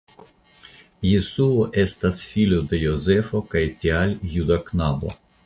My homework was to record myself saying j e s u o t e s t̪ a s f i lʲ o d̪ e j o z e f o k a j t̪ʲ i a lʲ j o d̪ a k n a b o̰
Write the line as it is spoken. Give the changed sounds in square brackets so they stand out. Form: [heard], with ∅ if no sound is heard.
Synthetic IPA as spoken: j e s u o [ʔ] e s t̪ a s f i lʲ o d̪ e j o z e f o k a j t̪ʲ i a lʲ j [u] d̪ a k n a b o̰